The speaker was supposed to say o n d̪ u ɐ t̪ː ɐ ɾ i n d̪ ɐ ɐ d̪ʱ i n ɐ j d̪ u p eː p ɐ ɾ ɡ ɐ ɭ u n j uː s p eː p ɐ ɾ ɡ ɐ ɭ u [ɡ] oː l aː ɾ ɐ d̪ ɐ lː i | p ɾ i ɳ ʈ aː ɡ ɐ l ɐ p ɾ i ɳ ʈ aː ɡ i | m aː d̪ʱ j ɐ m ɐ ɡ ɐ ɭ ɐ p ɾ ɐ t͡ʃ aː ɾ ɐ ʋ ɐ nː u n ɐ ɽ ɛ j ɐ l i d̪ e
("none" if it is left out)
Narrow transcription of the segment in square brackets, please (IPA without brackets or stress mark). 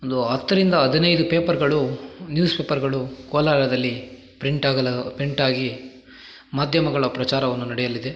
k